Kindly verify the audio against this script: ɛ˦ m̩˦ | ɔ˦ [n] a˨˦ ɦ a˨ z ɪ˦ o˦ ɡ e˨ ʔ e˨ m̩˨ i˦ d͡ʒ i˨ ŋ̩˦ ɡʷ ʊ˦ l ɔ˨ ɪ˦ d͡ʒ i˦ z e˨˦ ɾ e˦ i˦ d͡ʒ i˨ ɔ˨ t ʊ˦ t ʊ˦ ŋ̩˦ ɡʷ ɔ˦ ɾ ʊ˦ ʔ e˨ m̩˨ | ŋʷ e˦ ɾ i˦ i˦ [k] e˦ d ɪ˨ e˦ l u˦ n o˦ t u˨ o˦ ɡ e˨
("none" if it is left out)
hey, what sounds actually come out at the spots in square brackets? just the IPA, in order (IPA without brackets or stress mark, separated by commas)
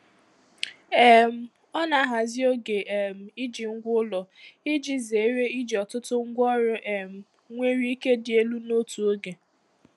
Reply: n, k